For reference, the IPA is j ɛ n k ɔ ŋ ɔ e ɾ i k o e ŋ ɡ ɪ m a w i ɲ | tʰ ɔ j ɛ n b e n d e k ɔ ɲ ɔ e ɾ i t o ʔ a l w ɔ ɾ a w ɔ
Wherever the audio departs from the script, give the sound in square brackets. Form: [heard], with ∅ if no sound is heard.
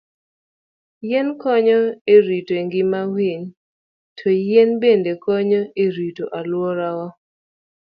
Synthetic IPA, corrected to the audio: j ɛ n k ɔ [ɲ] ɔ e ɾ i [t] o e ŋ ɡ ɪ m a w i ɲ | tʰ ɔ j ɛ n b e n d e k ɔ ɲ ɔ e ɾ i t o ʔ a l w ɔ ɾ a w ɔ